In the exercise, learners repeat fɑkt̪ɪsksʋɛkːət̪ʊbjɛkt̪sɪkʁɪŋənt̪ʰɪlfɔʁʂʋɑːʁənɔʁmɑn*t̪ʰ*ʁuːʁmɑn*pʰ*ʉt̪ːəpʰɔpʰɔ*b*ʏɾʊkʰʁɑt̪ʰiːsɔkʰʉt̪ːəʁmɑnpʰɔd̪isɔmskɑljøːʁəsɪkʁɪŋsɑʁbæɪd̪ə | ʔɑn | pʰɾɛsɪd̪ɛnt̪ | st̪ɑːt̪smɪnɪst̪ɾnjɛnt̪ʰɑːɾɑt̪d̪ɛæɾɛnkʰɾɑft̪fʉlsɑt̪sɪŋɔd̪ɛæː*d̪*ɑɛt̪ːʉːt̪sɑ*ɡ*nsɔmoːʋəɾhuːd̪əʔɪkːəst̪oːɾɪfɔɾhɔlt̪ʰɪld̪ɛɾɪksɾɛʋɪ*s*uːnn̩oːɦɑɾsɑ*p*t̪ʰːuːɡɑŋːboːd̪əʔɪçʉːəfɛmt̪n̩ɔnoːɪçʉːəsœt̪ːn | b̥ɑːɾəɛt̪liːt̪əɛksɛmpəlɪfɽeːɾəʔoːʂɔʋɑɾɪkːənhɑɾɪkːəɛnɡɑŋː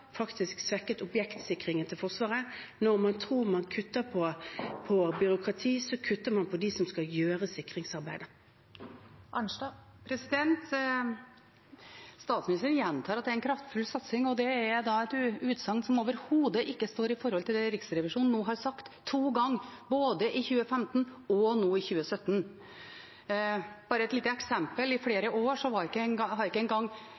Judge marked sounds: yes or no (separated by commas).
yes, no, yes, yes, no, no, no